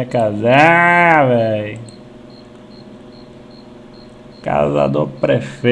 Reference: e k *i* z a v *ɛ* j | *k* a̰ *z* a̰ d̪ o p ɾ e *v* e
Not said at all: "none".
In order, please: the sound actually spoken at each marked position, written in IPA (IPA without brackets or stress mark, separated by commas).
a, ɛ, k, z, f